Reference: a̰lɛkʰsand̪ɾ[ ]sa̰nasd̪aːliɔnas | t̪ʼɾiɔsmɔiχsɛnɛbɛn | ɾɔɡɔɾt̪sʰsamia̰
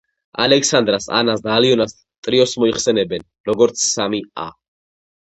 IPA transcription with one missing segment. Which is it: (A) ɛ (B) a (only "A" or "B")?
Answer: B